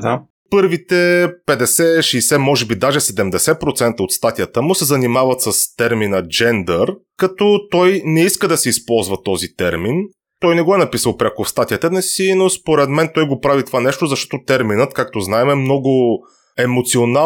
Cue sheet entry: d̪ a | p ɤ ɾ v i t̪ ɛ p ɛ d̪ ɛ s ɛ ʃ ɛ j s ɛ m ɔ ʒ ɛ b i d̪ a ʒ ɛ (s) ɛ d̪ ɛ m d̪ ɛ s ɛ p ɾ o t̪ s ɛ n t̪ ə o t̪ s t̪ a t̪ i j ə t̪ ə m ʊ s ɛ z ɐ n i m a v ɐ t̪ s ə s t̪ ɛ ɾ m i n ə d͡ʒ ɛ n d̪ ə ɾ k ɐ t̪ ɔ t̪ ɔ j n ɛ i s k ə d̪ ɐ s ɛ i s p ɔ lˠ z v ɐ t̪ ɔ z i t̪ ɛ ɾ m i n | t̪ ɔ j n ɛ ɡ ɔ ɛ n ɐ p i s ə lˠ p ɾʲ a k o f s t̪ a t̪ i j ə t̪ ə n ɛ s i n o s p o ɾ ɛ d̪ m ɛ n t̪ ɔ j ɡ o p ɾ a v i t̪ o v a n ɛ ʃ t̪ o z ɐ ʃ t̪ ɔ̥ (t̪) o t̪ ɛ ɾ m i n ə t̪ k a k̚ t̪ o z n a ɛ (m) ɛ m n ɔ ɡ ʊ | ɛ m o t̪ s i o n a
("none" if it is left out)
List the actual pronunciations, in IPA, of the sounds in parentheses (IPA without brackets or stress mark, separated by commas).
s, t̪, m